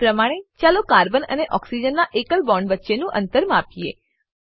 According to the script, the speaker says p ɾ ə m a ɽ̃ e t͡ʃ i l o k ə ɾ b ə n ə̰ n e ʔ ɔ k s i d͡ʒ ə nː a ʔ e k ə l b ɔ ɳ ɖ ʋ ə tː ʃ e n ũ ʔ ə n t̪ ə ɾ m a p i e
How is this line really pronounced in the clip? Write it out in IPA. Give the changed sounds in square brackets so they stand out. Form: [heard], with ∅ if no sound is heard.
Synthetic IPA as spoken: p ɾ ə m a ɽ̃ e t͡ʃ [a] l o k [a] ɾ b ə n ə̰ n e ʔ ɔ k s i d͡ʒ ə nː a ʔ e k ə l b ɔ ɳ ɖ ʋ ə tː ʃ e n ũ ʔ ə n t̪ ə ɾ m a p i e